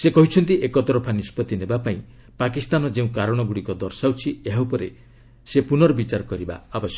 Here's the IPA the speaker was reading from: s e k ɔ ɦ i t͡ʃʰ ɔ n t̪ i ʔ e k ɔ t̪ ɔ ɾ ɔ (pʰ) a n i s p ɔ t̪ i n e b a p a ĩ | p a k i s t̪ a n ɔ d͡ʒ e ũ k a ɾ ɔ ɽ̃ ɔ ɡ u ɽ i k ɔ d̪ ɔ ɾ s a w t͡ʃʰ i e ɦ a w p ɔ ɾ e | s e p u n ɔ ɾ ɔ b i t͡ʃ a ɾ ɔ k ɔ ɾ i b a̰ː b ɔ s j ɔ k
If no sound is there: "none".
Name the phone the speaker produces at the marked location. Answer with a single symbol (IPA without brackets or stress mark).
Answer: pʰ